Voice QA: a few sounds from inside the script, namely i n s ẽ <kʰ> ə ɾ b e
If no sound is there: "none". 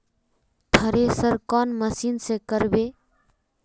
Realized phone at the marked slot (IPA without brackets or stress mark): k